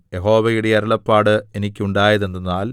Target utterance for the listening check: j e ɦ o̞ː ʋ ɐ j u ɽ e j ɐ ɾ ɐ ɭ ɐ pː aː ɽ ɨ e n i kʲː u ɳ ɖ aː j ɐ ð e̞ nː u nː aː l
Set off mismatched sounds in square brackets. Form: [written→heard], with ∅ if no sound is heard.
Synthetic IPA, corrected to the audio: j e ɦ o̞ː ʋ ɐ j u ɽ e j ɐ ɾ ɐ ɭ ɐ pː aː ɽ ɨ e n i kʲː u ɳ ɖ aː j ɐ ð e̞ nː u nː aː l